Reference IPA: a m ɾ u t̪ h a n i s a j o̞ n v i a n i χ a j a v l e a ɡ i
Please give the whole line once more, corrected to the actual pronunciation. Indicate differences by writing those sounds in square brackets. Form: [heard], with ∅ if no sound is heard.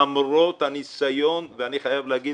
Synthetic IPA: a m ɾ [o] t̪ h a n i s a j o̞ n v [e] a n i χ a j a v l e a ɡ i